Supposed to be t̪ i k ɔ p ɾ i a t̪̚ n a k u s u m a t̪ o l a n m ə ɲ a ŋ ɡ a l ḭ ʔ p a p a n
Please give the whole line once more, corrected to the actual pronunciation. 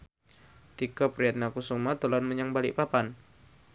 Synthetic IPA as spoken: t̪ i k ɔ p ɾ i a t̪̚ n a k u s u m a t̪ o l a n m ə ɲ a ŋ b a l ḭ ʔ p a p a n